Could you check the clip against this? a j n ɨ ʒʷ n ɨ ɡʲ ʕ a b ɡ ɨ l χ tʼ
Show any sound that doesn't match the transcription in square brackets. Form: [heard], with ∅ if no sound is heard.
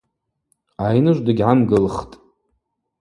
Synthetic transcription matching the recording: a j n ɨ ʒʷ [d] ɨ ɡʲ ʕ a [m] ɡ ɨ l χ tʼ